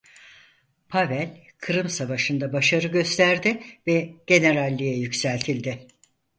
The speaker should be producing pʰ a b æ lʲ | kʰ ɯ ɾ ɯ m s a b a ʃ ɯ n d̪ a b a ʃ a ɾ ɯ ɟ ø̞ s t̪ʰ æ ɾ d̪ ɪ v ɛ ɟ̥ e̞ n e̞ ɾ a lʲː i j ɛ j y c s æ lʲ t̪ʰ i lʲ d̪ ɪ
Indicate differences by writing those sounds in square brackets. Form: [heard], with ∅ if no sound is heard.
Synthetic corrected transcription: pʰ a [v] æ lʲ | kʰ ɯ ɾ ɯ m s a [v] a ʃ ɯ n d̪ a b a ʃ a ɾ ɯ ɟ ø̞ s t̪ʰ æ ɾ d̪ ɪ v ɛ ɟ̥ e̞ n e̞ ɾ a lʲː i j ɛ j y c s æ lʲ t̪ʰ i lʲ d̪ ɪ